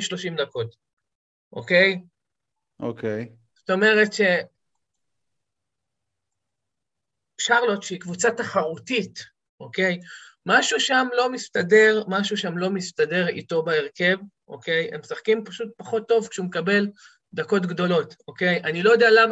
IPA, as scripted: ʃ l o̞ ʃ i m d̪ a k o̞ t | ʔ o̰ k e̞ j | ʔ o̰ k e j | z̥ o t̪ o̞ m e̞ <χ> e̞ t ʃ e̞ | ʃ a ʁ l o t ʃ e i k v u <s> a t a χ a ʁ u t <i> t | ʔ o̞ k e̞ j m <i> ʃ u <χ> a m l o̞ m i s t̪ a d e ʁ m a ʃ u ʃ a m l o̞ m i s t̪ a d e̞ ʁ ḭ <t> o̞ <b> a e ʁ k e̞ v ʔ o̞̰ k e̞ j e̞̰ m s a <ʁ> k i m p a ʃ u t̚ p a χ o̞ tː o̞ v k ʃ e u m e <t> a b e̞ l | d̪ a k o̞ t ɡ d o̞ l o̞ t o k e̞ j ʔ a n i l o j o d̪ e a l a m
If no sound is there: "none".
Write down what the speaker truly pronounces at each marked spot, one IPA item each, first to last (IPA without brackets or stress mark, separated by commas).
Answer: ʁ, t͡s, i, a, ʃ, t, b, χ, k